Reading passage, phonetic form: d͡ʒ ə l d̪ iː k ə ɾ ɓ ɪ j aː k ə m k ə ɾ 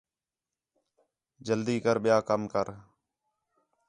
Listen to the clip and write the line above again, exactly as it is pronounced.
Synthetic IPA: d͡ʒ ə l d̪ iː k ə ɾ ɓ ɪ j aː k ə m k ə ɾ